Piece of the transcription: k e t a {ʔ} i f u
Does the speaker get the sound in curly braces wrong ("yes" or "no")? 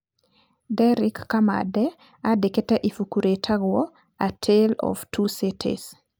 no